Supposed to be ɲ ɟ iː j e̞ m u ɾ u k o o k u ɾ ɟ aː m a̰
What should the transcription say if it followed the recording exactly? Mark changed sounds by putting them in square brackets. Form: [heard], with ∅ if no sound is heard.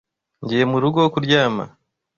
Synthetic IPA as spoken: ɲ ɟ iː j e̞ m u ɾ u [ɡ] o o k u ɾ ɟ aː m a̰